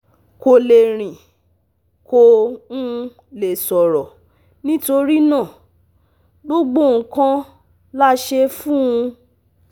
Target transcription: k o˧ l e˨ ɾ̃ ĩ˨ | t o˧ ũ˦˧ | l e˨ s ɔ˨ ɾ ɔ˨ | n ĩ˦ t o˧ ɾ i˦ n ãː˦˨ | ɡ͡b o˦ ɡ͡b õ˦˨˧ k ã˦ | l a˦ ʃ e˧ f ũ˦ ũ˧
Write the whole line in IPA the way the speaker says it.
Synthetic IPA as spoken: k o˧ l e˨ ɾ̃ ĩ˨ | k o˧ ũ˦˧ | l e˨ s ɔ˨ ɾ ɔ˨ | n ĩ˦ t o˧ ɾ i˦ n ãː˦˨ | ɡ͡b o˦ ɡ͡b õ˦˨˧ k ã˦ | l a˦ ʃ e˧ f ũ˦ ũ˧